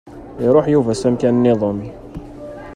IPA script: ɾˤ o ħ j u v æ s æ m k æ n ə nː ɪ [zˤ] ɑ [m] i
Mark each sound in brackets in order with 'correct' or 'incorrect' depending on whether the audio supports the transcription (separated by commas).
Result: incorrect, correct